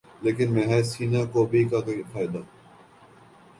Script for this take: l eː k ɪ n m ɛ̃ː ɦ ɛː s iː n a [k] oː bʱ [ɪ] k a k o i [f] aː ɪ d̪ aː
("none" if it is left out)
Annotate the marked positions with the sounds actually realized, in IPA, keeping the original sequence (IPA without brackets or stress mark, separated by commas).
k, i, f